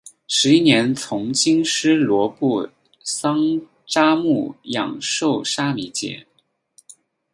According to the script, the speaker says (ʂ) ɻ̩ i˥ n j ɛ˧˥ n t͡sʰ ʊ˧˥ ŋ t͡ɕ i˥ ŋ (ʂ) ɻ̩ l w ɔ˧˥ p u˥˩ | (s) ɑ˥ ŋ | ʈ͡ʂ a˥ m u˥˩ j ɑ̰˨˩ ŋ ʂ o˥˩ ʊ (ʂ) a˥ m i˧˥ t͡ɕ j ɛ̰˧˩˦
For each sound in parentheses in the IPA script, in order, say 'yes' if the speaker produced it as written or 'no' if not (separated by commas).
yes, yes, yes, yes